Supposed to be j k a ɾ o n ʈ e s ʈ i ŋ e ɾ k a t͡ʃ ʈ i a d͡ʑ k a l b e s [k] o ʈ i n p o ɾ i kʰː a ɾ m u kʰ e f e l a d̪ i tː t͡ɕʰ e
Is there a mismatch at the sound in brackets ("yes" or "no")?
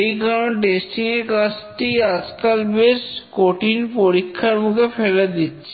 no